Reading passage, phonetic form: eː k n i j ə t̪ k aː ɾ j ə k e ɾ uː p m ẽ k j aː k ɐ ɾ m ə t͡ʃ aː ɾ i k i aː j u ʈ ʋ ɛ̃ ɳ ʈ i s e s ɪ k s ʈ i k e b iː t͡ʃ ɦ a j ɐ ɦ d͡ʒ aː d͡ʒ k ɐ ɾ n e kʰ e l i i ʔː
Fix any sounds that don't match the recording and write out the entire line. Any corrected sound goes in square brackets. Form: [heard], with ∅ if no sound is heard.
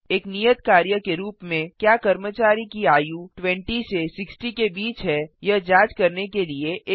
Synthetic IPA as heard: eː k n i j ə t̪ k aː ɾ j ə k e ɾ uː p m ẽ k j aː k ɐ ɾ m ə t͡ʃ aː ɾ i k i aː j u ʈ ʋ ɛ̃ ɳ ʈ i s e s ɪ k s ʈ i k e b iː t͡ʃ ɦ [ɛ] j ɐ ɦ d͡ʒ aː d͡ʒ k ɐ ɾ n e [k] e l i [e] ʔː

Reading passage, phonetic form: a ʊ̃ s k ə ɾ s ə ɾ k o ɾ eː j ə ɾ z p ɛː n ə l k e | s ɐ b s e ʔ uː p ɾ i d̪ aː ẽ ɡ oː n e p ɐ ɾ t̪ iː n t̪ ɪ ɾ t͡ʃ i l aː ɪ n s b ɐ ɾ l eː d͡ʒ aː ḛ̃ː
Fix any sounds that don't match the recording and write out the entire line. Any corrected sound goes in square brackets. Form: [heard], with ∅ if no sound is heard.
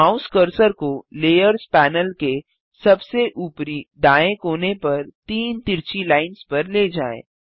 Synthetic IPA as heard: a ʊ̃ s k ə ɾ s ə ɾ k o [l] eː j ə ɾ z p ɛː n ə l k e | s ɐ b s e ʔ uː p ɾ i d̪ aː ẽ [k] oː n e p ɐ ɾ t̪ iː n t̪ ɪ ɾ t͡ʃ i l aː ɪ n s [p] ɐ ɾ l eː d͡ʒ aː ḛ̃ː

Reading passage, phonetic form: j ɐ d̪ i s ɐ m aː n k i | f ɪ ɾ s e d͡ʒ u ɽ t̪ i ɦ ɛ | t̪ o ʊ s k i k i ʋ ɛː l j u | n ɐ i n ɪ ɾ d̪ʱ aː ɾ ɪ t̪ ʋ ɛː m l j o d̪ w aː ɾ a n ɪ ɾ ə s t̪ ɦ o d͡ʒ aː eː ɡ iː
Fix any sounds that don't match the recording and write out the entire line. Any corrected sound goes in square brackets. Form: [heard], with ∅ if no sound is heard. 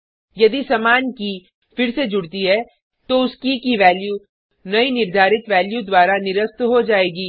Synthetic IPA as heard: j ɐ d̪ i s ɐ m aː n k i | f ɪ ɾ s e d͡ʒ [ʊ] ɽ t̪ i ɦ ɛ | t̪ o ʊ s k i k i ʋ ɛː l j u | n ɐ i n ɪ ɾ d̪ʱ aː ɾ ɪ t̪ ʋ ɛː [∅] l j [u] d̪ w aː ɾ a n ɪ ɾ ə s t̪ ɦ o d͡ʒ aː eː ɡ iː

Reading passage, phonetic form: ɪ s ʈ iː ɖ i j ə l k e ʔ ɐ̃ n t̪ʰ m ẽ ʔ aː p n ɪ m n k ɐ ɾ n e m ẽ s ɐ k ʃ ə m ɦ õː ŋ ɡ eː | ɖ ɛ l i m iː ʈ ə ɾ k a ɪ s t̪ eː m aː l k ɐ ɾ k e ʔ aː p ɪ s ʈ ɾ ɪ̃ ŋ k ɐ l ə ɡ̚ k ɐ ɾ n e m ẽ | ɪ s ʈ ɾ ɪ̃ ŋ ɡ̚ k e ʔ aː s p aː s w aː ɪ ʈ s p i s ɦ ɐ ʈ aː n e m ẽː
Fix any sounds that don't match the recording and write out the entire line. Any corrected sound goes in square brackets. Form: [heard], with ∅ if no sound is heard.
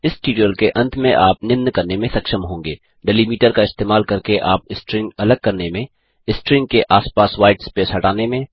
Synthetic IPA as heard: ɪ s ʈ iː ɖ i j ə l k e ʔ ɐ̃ n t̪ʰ m ẽ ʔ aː p n ɪ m n k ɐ ɾ n e m ẽ s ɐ k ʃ ə m ɦ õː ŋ ɡ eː | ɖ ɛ l i m iː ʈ ə ɾ k a ɪ s t̪ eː m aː l k ɐ ɾ k e ʔ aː p ɪ s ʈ ɾ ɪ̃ ŋ [ɡ] ɐ l ə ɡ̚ k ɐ ɾ n e m ẽ | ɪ s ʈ ɾ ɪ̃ ŋ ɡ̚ k e ʔ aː s p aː s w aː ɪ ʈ s p [e] s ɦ ɐ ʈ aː n e m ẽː

